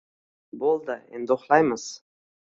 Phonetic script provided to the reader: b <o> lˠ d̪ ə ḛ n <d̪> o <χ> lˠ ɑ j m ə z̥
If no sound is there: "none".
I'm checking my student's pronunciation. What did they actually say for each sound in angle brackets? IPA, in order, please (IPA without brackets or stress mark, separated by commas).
o, d̪, χ